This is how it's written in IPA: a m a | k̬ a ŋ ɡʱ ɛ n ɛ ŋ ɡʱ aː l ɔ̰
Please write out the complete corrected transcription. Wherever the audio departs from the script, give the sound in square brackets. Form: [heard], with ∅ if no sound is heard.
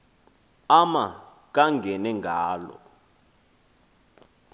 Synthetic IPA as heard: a m a | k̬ a ŋ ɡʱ ɛ n ɛ ŋ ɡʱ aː l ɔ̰

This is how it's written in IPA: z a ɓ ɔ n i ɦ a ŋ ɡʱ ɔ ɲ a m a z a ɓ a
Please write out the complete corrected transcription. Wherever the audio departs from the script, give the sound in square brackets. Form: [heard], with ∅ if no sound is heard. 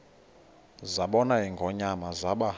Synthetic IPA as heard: z a ɓ ɔ n [a] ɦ [i] ŋ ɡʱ ɔ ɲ a m a z a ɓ a

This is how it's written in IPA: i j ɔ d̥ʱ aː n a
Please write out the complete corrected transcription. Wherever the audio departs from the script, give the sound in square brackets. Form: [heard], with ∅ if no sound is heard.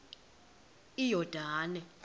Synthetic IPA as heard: i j ɔ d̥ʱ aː n [ɛ]

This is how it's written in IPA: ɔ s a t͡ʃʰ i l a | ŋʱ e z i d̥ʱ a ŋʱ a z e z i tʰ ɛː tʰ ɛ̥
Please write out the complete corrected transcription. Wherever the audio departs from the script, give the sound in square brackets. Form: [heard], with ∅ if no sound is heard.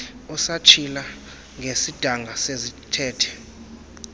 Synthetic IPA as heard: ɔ s a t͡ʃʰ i l a | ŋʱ e [s] i d̥ʱ a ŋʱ a [s] e z i tʰ ɛː tʰ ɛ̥

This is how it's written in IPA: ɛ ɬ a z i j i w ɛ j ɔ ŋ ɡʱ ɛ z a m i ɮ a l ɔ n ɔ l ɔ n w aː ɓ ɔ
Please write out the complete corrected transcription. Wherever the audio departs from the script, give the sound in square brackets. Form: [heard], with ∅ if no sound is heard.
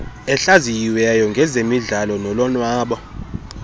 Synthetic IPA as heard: ɛ ɬ a z i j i w ɛ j ɔ ŋ ɡʱ ɛ z [e] m i ɮ a l ɔ n ɔ l ɔ n w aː ɓ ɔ

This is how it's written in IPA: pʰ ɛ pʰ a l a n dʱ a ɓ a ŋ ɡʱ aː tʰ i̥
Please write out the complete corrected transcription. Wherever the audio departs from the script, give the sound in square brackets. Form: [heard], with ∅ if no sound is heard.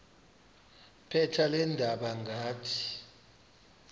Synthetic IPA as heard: pʰ ɛ [tʰ] a l [ɛ] n dʱ a ɓ a ŋ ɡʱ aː tʰ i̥

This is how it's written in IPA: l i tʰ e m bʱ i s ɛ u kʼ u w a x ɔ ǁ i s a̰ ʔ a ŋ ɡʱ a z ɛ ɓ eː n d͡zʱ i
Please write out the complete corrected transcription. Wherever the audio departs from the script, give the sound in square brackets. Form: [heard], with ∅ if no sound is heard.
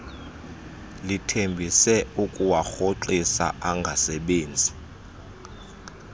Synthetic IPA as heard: l i tʰ e m bʱ i s ɛ u kʼ u w a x [o] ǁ i s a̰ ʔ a ŋ ɡʱ a [s] ɛ ɓ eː n d͡zʱ i

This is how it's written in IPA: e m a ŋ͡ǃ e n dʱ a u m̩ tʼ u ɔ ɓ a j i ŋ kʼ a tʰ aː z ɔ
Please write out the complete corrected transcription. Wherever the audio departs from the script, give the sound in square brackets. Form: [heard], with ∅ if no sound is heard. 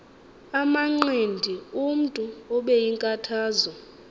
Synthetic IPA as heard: [a] m a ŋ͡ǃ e n dʱ [i] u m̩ tʼ u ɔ ɓ [ɛ] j i ŋ kʼ a tʰ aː z ɔ

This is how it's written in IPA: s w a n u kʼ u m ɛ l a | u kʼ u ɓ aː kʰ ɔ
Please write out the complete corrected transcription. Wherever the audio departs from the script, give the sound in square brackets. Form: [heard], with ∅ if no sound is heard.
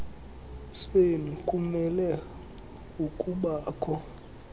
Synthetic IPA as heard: s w [e] n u kʼ u m ɛ l [ɛ] | u kʼ u ɓ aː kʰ ɔ

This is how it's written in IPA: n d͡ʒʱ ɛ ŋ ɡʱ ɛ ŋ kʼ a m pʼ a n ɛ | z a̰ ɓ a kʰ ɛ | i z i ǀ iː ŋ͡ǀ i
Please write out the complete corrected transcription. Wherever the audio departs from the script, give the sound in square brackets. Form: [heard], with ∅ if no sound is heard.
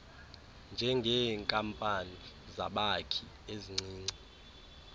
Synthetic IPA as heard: n d͡ʒʱ ɛ ŋ ɡʱ ɛ ŋ kʼ a m pʼ a n [i] | z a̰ ɓ a kʰ [i] | [e] z i [ŋ͡ǀ] iː ŋ͡ǀ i

